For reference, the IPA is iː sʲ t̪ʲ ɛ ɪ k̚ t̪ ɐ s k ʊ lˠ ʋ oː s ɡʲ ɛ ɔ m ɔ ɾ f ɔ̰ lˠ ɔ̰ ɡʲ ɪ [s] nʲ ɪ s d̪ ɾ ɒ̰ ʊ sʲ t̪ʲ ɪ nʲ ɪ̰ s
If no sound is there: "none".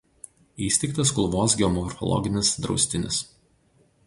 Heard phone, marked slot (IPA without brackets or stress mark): none